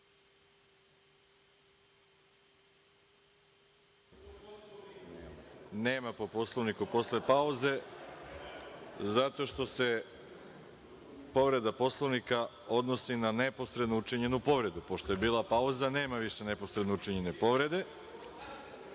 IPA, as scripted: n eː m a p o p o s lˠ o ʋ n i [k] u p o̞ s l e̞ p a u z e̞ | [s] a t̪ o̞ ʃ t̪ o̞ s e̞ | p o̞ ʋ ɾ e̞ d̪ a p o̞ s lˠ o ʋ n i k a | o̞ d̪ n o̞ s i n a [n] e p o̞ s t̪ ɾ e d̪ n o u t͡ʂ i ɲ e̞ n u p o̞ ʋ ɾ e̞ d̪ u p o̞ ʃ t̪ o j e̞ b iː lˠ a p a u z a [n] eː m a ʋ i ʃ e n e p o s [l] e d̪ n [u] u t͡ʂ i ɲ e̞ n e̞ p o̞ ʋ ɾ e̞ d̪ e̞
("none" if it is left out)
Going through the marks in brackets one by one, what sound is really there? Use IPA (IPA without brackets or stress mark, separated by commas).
k, z, n, n, ɾ, o